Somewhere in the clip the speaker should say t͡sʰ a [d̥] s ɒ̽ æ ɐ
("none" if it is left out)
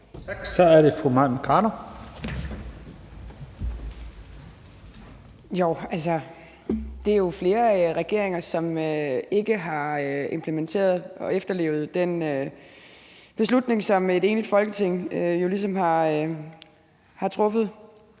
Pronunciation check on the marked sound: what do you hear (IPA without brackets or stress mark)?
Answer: ɡ̥